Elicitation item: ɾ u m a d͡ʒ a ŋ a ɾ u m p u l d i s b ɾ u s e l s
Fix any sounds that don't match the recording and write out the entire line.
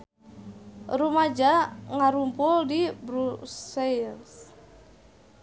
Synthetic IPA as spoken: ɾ u m a d͡ʒ a ŋ a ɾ u m p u l d i b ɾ u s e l s